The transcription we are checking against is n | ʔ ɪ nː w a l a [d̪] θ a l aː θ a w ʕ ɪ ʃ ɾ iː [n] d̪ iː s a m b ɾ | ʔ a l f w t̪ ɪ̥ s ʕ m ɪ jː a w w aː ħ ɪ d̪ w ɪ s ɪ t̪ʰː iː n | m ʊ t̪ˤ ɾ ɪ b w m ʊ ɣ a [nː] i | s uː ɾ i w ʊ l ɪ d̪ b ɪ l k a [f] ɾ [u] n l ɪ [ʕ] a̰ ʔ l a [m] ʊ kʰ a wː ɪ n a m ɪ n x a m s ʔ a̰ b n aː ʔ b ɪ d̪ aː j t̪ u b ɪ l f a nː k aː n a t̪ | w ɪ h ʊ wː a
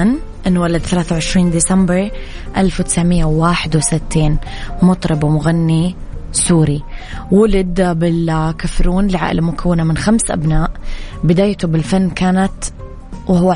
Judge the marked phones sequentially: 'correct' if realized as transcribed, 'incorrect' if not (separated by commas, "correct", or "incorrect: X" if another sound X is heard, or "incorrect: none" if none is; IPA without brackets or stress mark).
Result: correct, correct, correct, correct, incorrect: uː, correct, correct